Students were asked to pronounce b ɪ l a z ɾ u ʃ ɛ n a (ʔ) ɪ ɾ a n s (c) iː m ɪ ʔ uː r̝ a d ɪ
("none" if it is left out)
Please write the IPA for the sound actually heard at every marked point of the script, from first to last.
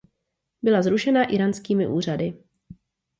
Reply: ʔ, k

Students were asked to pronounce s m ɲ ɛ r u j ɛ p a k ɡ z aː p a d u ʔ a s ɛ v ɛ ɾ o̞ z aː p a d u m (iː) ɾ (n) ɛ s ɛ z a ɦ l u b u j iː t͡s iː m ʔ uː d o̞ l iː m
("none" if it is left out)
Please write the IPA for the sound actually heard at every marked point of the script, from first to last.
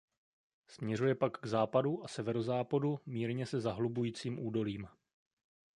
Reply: iː, ɲ

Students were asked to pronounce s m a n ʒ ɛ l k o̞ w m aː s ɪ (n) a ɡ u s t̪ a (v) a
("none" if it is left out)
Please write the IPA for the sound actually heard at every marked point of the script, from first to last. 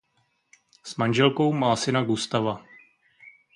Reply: n, v

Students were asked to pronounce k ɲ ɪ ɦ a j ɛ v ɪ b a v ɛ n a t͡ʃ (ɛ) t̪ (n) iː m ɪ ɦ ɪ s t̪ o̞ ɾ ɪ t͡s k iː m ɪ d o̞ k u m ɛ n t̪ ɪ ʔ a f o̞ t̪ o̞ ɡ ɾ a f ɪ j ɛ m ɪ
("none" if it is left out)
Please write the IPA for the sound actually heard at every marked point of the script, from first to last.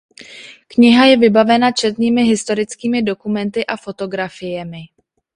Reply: ɛ, n

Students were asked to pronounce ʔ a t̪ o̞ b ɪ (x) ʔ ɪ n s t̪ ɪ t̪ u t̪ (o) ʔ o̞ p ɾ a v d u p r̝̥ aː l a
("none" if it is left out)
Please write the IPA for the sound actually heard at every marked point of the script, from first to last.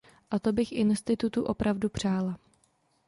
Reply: x, u

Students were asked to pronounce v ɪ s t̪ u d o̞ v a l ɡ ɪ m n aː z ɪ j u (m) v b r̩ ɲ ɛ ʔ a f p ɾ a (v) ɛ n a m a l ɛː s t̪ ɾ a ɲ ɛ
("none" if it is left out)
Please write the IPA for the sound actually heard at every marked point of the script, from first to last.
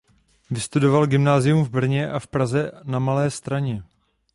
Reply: m, z

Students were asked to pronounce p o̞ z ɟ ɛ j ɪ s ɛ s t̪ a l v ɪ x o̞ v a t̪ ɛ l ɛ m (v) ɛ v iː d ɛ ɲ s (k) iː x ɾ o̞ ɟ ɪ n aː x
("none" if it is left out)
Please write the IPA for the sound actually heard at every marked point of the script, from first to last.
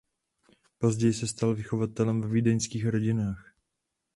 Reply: v, k

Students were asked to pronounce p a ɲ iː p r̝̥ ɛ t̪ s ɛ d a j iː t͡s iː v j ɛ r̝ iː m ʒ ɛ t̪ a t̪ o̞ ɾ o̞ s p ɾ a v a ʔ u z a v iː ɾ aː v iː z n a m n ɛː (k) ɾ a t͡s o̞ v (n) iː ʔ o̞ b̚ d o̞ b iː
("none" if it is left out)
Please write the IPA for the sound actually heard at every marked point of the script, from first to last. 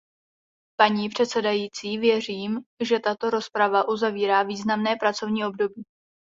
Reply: p, ɲ

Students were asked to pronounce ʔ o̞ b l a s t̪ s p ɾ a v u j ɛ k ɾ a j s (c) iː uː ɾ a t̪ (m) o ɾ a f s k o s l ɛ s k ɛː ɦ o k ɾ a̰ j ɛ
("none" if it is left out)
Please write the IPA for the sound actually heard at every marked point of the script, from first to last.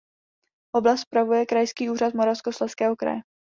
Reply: k, m

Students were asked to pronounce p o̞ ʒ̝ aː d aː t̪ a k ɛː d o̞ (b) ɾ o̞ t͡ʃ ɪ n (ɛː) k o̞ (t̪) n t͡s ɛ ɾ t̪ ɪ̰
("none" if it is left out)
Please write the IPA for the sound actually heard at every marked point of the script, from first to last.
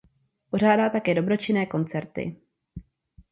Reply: b, ɛː, none

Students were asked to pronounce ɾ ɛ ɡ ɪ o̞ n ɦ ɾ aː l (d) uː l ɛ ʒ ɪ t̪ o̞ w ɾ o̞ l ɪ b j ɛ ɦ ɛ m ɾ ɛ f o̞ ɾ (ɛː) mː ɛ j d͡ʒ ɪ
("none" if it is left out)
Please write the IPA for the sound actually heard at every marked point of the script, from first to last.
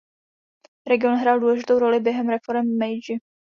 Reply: d, ɛ

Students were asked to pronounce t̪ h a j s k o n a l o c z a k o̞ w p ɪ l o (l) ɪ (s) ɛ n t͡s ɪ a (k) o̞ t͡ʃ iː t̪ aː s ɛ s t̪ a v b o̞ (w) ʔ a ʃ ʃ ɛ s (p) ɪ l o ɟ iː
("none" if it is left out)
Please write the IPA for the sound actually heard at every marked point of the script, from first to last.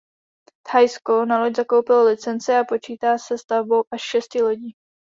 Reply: l, t͡s, p, w, c

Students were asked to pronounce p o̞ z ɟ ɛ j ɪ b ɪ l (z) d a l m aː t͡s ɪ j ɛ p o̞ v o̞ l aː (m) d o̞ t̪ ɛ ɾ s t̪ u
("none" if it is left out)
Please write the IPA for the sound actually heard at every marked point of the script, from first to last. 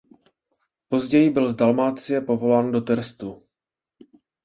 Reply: z, n

